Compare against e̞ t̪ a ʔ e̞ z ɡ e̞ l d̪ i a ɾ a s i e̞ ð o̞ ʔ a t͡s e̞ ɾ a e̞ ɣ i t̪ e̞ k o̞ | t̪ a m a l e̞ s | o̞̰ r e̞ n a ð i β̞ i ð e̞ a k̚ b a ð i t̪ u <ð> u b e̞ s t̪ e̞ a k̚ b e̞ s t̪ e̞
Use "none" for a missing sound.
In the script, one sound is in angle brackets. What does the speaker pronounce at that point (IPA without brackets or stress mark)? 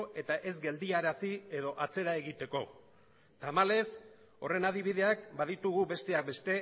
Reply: ɣ